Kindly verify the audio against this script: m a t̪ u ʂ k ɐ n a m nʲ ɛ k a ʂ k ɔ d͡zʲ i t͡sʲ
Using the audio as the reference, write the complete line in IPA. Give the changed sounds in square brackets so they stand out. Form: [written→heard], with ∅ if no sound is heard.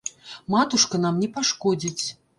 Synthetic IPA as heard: m a t̪ u ʂ k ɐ n a m nʲ ɛ [k→p] a ʂ k ɔ d͡zʲ i t͡sʲ